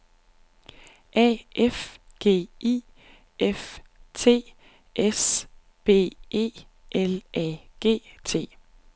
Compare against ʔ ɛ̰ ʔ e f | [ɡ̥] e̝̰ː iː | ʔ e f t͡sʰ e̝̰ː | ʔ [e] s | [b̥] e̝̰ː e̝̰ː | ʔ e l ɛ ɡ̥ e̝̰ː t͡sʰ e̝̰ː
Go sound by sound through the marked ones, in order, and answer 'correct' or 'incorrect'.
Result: correct, correct, correct

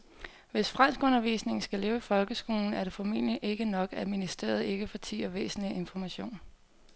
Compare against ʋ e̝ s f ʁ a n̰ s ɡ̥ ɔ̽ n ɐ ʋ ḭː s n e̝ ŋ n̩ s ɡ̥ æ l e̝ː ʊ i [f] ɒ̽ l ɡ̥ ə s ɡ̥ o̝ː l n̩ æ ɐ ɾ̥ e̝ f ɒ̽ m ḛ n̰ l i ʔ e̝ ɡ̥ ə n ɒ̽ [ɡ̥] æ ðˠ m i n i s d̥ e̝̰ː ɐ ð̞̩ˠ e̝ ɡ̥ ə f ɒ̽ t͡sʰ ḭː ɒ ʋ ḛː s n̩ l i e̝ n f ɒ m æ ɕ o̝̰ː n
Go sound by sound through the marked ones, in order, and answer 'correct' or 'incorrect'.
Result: correct, correct

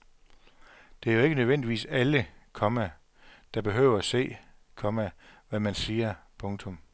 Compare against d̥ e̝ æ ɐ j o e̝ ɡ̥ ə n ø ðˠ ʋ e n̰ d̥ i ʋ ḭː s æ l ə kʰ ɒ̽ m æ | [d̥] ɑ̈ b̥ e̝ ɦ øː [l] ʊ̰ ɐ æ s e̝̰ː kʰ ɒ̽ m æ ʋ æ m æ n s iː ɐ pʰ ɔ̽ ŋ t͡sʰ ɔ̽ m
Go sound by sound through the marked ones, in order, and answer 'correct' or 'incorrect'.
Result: correct, incorrect: none

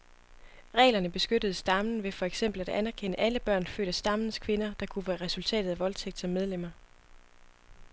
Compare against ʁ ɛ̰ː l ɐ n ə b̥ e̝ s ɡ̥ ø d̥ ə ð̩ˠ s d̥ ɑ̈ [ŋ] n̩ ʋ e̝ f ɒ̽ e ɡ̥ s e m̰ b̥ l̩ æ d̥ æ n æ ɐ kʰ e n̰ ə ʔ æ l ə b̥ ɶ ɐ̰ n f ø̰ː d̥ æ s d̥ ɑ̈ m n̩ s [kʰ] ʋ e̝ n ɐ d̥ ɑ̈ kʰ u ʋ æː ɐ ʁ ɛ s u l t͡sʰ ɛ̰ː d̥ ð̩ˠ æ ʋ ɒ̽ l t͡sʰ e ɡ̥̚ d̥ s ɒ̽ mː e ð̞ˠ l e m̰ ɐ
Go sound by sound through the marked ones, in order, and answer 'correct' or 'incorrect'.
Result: incorrect: m, correct

